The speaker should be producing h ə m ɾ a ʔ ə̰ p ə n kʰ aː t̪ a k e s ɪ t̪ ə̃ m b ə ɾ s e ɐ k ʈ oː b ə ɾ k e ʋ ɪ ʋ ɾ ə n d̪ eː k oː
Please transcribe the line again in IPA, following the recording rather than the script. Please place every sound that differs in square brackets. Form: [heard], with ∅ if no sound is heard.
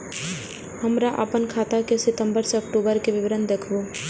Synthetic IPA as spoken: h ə m ɾ a ʔ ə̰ p ə n kʰ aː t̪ a k e s ɪ t̪ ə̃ m b ə ɾ s e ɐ k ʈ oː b ə ɾ k e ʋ ɪ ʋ ɾ ə n d̪ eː [kʰ] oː